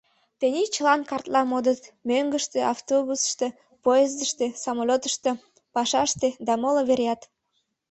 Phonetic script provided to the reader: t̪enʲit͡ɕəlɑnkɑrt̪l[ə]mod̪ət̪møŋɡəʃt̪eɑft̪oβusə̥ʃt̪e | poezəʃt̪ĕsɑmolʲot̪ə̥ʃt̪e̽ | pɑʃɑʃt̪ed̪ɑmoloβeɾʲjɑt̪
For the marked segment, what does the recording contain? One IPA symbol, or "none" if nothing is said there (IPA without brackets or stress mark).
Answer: ɑ